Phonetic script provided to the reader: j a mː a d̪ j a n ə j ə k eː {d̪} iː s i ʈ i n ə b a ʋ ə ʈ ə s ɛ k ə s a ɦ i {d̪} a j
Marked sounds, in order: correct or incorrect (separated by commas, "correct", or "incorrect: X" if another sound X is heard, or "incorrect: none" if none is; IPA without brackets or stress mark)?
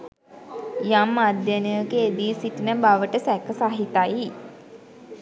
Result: correct, incorrect: t̪